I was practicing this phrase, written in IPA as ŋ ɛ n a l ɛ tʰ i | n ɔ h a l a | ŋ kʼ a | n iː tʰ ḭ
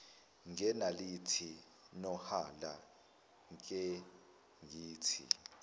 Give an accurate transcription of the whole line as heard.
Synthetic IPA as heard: ŋ ɛ n a l i tʰ i | n ɔ h a l a | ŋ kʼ ɛ | ŋ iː tʰ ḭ